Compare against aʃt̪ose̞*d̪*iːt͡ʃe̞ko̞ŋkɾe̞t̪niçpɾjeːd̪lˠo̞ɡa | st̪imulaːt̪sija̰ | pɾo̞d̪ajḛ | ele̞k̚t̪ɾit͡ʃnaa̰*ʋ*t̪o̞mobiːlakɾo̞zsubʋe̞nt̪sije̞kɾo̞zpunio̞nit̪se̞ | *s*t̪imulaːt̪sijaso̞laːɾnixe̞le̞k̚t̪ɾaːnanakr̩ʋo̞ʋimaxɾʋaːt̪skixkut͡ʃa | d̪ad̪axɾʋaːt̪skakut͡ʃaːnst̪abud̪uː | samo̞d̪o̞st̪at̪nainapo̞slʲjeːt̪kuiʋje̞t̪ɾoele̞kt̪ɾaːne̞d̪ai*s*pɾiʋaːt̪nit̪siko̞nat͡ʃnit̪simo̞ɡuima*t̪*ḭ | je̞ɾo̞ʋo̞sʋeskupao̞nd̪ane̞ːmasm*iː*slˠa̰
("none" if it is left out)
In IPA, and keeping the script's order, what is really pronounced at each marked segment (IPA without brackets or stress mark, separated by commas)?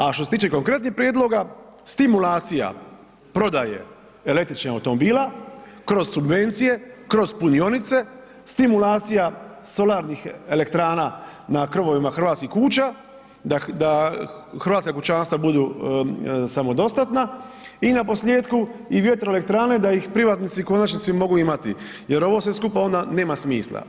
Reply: t̪, w, s, x, t̪, iː